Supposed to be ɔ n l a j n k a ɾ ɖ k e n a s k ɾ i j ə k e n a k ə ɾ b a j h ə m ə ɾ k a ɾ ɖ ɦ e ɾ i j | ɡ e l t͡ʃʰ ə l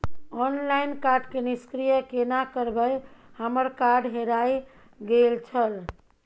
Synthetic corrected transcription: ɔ n l a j n k a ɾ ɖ k e n i s k ɾ i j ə k e n a k ə ɾ b ə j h ə m ə ɾ k a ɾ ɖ ɦ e ɾ a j | ɡ e l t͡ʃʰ ə l